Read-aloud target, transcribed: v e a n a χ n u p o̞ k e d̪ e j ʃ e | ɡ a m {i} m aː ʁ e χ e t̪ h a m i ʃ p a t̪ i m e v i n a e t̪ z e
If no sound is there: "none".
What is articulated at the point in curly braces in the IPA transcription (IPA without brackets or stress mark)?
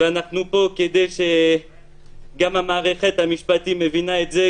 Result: a